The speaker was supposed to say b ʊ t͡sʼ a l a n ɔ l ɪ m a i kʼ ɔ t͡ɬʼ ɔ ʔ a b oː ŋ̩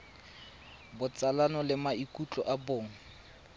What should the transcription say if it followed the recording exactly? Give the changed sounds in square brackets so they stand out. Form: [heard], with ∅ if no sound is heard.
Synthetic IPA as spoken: b ʊ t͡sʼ a l a n ɔ l ɪ m a i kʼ [u] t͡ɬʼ ɔ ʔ a b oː ŋ̩